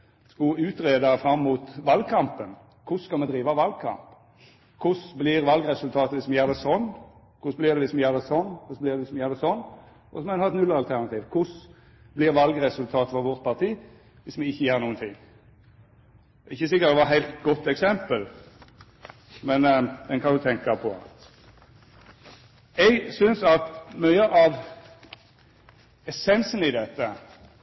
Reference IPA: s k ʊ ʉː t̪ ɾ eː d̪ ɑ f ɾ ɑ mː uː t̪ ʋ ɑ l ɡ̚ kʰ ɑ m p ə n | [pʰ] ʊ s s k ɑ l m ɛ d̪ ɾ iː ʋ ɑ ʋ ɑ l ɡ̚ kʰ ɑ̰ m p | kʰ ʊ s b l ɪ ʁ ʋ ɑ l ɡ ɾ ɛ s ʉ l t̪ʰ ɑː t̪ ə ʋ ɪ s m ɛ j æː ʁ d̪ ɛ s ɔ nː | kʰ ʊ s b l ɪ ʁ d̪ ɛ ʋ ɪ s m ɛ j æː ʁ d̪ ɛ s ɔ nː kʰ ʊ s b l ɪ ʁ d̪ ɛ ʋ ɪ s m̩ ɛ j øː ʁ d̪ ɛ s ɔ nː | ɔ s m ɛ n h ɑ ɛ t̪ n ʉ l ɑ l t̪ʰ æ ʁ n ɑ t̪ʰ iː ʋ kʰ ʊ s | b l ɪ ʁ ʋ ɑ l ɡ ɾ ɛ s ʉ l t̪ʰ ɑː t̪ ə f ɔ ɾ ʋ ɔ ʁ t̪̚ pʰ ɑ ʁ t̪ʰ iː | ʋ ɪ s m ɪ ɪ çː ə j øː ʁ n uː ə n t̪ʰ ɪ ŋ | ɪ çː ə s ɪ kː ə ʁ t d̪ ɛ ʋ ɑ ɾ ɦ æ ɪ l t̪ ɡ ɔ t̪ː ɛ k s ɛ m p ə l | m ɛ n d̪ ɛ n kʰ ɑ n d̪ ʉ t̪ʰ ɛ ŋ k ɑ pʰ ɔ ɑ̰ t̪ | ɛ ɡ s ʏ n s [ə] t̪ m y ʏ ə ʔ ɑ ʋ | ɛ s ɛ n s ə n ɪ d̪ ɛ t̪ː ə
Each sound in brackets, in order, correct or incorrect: incorrect: kʰ, incorrect: ɑ

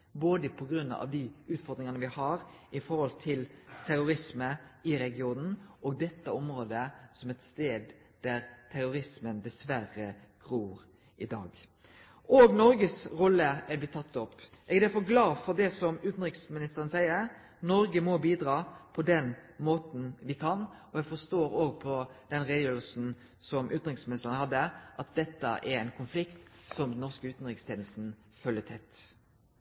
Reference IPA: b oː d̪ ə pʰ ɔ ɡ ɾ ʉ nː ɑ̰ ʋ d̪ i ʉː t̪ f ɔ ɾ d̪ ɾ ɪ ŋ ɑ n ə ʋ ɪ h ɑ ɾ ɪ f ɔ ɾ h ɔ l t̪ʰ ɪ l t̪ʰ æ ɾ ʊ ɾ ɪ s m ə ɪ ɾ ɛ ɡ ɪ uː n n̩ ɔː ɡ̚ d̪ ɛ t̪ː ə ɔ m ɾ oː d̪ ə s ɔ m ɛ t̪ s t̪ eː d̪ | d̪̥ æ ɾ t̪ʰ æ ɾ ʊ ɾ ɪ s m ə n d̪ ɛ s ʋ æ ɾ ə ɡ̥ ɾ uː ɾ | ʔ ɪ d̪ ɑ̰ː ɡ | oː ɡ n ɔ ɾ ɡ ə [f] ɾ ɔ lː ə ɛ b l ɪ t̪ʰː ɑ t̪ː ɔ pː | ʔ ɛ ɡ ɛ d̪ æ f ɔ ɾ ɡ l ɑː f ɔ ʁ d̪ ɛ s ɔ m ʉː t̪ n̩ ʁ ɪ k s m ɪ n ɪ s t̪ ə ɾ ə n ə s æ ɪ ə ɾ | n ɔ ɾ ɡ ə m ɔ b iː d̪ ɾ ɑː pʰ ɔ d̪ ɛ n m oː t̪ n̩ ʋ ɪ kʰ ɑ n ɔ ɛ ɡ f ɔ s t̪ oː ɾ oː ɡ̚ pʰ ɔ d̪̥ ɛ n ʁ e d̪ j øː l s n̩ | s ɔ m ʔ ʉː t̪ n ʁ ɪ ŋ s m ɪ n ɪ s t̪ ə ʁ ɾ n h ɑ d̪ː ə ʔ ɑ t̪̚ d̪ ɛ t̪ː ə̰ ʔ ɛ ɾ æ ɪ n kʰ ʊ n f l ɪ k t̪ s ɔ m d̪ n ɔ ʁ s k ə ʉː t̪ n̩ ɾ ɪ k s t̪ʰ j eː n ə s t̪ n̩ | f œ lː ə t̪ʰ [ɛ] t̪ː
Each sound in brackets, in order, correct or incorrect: incorrect: s, correct

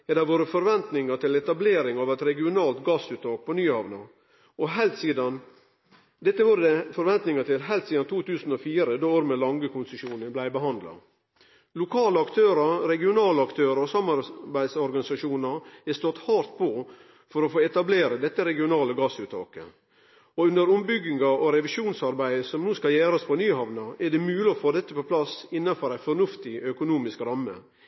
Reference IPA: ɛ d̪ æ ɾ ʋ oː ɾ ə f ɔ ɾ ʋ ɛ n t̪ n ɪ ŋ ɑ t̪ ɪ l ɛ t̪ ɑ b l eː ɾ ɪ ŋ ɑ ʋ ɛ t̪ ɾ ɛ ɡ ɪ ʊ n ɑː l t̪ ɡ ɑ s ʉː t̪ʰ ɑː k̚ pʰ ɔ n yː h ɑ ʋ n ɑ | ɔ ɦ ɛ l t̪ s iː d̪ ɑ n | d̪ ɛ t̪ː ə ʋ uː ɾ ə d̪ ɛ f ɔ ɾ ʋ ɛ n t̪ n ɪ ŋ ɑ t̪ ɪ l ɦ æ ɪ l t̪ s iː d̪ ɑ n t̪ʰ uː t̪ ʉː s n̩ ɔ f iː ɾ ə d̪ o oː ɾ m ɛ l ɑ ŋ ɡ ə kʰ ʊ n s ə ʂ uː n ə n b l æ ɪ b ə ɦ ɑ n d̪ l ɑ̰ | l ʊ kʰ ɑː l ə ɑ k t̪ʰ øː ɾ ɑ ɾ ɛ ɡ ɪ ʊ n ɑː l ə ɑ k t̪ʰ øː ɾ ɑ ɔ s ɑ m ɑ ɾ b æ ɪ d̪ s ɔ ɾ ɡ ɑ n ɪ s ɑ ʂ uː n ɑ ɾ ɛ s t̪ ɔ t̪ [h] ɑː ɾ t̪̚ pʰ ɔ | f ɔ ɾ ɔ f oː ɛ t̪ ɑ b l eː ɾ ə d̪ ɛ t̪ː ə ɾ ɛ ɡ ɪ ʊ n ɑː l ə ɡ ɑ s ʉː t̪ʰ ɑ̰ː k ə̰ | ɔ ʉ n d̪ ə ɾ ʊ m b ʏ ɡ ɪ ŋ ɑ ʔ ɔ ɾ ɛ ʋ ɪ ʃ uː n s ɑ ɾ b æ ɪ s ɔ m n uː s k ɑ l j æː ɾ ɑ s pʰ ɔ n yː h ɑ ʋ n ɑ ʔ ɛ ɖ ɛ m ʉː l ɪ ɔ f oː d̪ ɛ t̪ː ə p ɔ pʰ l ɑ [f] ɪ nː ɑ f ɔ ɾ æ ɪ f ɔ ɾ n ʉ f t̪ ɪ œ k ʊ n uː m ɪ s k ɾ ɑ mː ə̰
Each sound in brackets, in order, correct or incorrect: correct, incorrect: s

